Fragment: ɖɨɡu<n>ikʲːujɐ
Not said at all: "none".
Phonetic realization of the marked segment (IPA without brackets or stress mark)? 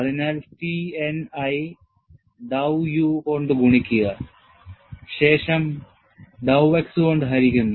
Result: ɳ